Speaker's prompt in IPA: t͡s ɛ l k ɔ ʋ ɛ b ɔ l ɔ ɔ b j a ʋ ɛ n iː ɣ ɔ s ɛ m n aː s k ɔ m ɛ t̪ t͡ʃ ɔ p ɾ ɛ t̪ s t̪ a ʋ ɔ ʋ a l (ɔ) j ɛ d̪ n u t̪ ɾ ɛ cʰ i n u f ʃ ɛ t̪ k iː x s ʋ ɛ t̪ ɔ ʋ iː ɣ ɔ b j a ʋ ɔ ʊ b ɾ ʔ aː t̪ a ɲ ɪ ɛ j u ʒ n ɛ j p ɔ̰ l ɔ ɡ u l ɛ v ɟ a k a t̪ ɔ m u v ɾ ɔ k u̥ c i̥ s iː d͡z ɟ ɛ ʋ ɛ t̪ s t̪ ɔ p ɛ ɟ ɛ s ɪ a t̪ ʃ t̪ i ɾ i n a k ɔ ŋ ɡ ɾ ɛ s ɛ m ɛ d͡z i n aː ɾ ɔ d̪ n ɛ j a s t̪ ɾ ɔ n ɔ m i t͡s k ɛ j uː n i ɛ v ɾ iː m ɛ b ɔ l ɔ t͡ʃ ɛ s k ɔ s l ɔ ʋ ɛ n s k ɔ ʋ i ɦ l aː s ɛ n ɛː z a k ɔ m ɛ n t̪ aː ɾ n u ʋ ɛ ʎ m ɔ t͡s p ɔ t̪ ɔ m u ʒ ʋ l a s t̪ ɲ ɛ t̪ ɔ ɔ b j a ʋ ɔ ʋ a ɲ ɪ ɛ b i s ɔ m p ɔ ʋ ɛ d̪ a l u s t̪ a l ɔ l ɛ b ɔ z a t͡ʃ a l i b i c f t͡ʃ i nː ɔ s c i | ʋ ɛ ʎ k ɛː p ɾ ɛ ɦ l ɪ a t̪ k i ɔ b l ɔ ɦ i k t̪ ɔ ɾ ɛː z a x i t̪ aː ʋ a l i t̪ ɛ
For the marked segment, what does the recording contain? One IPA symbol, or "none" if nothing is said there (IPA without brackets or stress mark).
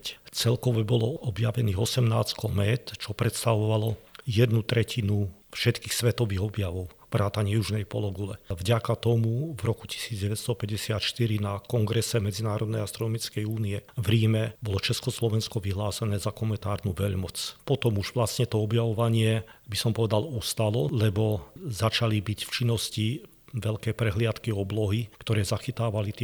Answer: ɔ